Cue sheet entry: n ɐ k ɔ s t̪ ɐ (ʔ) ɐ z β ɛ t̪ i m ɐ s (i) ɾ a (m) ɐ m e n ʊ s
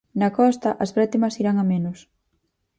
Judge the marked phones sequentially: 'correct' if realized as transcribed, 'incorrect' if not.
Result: correct, correct, incorrect: ŋ

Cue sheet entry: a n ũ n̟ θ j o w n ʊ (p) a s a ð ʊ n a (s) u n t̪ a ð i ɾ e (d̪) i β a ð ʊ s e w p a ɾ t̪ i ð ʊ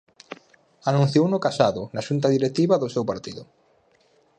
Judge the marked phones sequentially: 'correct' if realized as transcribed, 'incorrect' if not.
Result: incorrect: k, incorrect: ʃ, incorrect: t̪

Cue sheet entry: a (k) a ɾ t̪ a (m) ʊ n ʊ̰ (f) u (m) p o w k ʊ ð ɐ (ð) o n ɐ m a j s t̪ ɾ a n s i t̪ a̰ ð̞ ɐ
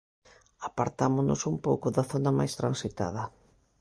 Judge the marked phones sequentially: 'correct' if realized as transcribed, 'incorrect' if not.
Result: incorrect: p, correct, incorrect: s, correct, incorrect: θ

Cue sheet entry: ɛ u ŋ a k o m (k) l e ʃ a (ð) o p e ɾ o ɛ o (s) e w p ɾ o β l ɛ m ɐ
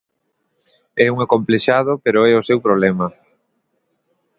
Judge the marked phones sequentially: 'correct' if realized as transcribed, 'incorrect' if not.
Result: incorrect: p, correct, correct

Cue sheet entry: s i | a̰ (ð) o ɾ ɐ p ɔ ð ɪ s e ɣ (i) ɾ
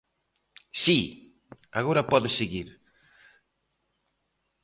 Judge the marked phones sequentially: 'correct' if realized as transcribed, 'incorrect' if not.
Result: incorrect: ɣ, correct

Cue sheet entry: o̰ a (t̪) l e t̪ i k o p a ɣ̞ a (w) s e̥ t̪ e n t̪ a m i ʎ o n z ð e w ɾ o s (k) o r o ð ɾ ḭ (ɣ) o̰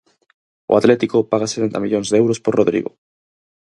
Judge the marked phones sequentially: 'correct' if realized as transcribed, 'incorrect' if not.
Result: correct, incorrect: none, incorrect: p, correct

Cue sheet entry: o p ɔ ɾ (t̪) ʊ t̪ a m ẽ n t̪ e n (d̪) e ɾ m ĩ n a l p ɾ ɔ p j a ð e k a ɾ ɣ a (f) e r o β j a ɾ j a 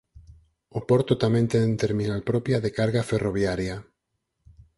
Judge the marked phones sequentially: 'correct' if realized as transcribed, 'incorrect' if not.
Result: correct, incorrect: t̪, correct

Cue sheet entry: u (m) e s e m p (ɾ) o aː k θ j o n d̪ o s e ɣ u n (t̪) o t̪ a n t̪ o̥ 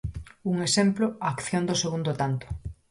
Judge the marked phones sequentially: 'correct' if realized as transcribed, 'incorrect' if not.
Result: incorrect: ŋ, incorrect: l, incorrect: d̪

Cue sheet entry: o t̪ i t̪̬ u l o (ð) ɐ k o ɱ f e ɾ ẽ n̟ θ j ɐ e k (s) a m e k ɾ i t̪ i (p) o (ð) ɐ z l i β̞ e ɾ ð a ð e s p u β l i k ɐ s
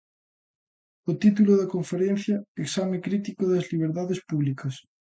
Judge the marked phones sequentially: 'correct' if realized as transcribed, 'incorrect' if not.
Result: correct, correct, incorrect: k, correct

